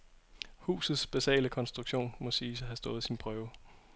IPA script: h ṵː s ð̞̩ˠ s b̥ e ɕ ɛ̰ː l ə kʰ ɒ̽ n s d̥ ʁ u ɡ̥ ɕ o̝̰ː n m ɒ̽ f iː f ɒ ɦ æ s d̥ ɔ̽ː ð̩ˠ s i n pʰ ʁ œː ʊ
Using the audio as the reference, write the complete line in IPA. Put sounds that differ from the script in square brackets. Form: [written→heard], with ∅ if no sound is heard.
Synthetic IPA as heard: h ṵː s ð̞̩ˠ s b̥ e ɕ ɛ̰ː l ə kʰ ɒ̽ n s d̥ ʁ u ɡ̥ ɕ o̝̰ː n m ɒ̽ [f→s] iː [f→s] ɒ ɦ æ s d̥ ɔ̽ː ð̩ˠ s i n pʰ ʁ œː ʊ